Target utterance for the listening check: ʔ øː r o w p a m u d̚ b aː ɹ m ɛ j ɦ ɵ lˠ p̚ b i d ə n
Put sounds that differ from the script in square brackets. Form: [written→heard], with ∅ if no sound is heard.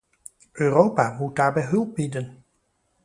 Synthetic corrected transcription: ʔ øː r o w p a m u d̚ [b→d] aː ɹ [m→b] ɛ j ɦ ɵ lˠ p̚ b i d ə n